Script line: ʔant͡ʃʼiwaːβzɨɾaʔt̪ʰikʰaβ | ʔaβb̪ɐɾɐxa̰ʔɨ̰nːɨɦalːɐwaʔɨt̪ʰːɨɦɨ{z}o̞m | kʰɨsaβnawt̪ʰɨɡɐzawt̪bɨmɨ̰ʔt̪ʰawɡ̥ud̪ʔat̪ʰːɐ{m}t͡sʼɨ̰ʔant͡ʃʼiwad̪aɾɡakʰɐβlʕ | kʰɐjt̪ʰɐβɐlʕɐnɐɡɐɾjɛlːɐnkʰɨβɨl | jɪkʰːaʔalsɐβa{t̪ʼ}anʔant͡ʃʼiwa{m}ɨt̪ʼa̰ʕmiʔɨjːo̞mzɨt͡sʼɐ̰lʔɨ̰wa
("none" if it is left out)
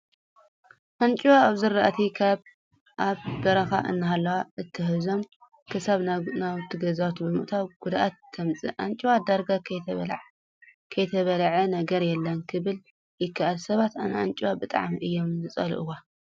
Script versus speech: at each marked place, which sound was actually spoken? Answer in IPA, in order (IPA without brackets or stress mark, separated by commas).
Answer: z, m, t̪, b